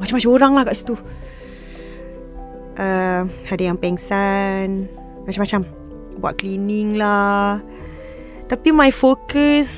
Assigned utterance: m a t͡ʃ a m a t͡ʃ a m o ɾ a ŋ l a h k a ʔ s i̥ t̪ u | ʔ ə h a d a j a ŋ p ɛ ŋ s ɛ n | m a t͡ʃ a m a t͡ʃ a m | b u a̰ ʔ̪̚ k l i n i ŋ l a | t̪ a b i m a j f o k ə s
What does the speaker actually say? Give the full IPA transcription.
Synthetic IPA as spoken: m a t͡ʃ a m a t͡ʃ a m o ɾ a ŋ l a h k a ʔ s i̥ t̪ u | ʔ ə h a d a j a ŋ p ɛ ŋ s a n | m a t͡ʃ a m a t͡ʃ a m | b u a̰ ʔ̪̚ k l i n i ŋ l a | t̪ a p i m a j f o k ə s